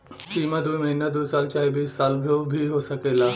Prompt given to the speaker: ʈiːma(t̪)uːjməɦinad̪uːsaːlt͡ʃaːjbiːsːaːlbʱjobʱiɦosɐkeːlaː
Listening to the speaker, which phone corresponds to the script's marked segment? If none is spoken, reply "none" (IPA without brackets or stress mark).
d̪